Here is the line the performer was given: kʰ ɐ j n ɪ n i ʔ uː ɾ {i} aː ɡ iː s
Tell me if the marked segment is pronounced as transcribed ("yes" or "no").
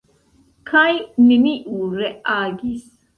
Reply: no